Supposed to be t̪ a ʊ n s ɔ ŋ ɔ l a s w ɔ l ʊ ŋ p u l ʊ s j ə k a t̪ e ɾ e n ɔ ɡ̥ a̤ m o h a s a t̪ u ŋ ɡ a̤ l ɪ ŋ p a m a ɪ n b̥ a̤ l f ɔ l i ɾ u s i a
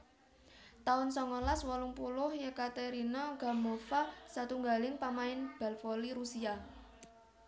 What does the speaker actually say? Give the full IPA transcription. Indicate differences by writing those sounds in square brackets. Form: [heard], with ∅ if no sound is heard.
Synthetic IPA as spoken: t̪ a ʊ n s ɔ ŋ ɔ l a s w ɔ l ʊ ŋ p u l ʊ [h] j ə k a t̪ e ɾ [i] n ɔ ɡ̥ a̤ m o [f] a s a t̪ u ŋ ɡ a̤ l ɪ ŋ p a m a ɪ n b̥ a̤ l f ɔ l i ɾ u s i a